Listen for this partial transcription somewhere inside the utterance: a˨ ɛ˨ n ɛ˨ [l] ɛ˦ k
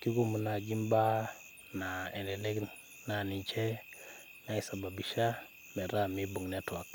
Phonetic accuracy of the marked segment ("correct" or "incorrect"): correct